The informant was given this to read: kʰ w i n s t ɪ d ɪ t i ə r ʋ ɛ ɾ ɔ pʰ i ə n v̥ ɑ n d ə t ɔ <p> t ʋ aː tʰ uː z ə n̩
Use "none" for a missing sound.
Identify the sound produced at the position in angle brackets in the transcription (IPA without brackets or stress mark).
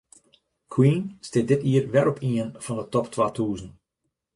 p